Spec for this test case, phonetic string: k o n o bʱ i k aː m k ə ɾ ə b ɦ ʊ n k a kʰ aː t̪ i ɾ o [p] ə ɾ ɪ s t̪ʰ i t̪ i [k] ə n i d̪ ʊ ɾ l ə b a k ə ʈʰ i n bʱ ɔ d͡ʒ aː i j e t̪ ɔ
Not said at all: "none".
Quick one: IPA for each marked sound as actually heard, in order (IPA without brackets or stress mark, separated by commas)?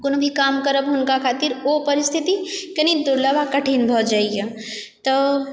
p, k